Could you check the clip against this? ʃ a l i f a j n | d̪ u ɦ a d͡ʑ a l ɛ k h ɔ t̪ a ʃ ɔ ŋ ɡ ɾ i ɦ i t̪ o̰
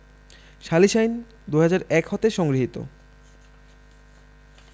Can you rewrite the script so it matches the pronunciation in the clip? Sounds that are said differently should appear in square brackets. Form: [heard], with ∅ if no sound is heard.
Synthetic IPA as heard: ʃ a l i [ʃ] a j n | d̪ u ɦ a d͡ʑ a [ɾ] ɛ k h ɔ t̪ [e] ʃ ɔ ŋ ɡ ɾ i ɦ i t̪ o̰